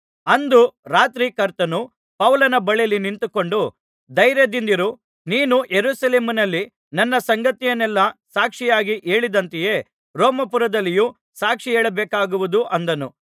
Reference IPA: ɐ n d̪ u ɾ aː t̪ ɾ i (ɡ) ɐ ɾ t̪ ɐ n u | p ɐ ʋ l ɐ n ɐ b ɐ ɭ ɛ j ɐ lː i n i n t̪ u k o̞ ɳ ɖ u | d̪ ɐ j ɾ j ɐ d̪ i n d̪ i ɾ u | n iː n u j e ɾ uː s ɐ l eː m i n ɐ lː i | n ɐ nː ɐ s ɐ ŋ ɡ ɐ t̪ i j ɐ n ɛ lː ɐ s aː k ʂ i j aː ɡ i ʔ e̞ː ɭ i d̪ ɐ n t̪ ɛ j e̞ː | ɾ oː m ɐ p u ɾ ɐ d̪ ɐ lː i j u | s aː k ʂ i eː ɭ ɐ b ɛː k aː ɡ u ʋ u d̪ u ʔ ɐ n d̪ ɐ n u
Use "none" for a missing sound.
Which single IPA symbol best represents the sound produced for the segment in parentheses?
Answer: k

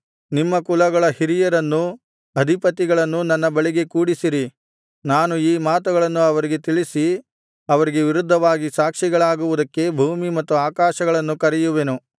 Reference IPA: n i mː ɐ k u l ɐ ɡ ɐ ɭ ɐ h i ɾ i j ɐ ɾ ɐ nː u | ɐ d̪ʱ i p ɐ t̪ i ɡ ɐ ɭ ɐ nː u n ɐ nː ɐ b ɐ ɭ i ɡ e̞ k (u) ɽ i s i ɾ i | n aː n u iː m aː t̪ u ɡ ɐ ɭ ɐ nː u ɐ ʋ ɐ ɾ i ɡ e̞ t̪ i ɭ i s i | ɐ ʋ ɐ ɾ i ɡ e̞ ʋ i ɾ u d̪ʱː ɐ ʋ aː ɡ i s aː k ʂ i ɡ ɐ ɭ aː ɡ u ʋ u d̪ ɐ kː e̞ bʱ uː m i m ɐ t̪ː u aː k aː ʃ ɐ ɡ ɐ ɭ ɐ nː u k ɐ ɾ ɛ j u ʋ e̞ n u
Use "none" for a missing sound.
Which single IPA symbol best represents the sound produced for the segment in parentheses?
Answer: uː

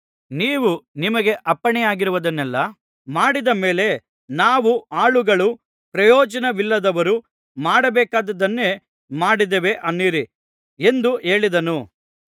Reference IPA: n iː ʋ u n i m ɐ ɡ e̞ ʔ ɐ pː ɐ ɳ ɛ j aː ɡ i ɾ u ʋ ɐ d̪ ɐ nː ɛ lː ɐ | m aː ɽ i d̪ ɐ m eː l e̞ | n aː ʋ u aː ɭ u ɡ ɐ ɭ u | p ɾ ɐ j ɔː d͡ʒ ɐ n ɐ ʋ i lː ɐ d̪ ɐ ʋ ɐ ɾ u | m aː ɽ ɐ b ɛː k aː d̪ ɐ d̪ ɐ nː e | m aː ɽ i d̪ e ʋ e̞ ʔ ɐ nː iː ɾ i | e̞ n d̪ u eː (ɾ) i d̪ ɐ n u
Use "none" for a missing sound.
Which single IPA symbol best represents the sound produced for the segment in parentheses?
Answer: ɭ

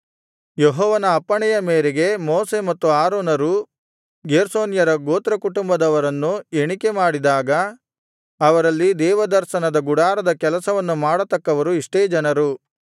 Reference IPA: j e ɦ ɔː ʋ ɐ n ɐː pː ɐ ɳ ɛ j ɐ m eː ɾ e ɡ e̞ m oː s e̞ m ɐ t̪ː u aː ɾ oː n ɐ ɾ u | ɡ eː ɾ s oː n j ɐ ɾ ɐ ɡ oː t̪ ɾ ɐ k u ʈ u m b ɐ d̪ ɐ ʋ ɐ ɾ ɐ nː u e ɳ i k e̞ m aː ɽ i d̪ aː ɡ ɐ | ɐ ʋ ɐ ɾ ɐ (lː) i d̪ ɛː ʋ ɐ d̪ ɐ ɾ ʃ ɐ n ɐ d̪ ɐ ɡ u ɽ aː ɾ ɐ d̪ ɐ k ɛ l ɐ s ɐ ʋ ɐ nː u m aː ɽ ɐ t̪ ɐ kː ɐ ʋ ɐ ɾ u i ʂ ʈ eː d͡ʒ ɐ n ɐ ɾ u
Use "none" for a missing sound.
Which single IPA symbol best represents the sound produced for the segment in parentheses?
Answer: lː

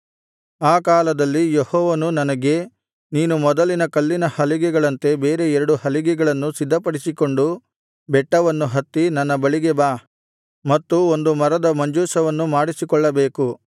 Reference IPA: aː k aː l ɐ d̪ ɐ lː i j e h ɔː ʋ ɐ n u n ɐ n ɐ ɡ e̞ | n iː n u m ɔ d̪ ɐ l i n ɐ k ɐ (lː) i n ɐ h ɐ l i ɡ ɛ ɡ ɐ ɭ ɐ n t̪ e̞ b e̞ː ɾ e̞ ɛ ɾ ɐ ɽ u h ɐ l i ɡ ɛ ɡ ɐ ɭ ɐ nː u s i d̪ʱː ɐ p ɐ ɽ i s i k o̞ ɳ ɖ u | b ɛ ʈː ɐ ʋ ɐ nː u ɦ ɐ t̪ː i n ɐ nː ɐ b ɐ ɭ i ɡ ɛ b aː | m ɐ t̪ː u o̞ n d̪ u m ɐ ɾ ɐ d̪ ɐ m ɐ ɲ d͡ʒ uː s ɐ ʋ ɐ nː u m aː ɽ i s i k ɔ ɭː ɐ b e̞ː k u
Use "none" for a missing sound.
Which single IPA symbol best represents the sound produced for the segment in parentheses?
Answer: lː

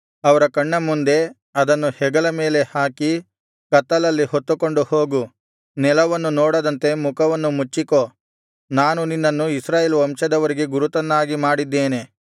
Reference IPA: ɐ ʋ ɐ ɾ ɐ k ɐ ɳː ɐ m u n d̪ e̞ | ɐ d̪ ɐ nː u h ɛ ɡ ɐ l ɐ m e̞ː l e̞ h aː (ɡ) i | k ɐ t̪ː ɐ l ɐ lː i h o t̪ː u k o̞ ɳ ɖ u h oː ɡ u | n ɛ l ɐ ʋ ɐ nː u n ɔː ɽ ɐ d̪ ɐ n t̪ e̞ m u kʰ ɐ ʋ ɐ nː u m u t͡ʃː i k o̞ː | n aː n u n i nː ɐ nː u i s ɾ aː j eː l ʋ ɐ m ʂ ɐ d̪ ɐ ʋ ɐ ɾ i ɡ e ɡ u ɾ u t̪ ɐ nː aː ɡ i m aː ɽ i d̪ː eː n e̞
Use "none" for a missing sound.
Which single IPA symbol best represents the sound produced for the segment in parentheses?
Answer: k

